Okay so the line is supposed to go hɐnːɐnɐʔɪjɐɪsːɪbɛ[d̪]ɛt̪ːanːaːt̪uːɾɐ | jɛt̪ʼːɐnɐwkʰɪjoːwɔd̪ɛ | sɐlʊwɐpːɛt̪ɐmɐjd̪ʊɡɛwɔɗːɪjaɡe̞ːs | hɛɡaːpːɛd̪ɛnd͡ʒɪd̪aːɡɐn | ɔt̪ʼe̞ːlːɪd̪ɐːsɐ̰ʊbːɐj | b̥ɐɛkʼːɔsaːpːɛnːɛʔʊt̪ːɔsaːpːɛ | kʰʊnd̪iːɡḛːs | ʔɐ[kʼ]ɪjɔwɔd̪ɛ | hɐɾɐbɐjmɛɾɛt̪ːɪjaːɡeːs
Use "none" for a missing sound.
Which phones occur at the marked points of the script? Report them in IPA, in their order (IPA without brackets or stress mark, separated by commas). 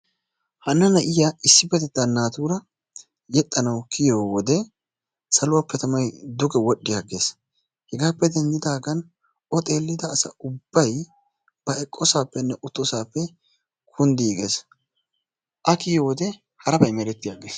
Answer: t̪, k